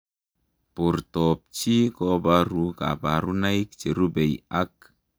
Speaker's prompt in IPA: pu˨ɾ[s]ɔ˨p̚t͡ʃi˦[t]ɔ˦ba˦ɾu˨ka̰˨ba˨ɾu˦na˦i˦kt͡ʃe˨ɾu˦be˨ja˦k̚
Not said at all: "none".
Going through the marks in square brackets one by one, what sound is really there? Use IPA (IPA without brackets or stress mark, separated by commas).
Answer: t, k